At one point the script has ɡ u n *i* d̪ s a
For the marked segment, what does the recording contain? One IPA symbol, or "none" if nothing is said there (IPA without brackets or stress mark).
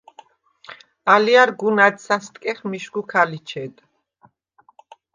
a